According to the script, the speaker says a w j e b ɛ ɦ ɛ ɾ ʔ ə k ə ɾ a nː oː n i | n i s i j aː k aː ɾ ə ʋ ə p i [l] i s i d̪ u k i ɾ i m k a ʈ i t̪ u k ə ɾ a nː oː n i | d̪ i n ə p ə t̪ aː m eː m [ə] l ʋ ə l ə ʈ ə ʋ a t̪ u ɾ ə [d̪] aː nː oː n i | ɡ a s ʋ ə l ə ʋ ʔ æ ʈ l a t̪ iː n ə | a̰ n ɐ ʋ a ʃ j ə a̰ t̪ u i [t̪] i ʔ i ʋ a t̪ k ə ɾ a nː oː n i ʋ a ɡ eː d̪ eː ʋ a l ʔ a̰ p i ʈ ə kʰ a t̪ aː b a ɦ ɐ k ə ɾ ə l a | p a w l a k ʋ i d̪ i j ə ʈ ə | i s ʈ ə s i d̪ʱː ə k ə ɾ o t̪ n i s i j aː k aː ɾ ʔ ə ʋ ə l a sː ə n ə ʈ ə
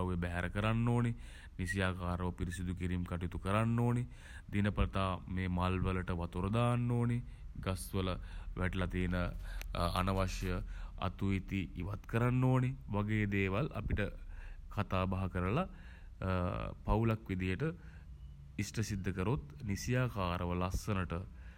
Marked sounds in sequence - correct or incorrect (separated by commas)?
incorrect, incorrect, correct, correct